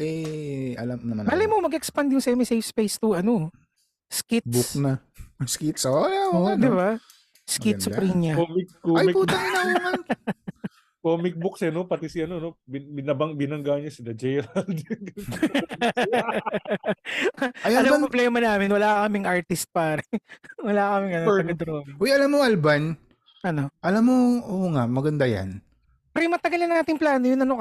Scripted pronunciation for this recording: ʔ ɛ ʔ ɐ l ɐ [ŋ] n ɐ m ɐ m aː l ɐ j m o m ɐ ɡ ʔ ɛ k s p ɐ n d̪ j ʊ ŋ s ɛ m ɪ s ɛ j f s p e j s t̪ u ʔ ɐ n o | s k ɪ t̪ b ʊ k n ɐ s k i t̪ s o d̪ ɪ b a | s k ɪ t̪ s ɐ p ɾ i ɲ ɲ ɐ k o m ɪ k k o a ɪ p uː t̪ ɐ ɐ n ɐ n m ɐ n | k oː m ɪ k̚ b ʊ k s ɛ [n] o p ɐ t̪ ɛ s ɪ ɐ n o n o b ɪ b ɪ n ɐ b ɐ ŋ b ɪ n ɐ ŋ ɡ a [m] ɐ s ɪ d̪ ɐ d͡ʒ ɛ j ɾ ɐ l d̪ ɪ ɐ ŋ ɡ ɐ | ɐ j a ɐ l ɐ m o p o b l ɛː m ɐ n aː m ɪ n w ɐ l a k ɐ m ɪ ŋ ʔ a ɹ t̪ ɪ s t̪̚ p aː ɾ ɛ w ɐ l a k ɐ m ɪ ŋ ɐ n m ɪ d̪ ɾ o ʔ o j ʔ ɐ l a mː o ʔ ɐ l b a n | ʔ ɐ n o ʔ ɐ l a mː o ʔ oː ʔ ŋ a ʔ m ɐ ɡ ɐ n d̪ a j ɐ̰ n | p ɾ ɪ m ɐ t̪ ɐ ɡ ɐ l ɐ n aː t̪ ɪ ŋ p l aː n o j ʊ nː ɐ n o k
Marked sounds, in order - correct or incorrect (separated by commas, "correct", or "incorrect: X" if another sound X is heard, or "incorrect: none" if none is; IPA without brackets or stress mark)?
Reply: incorrect: m, correct, incorrect: ɲ